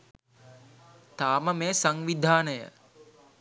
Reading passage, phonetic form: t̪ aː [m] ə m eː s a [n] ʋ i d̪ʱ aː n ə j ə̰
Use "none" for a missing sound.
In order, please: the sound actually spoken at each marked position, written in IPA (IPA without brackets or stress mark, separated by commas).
m, ŋ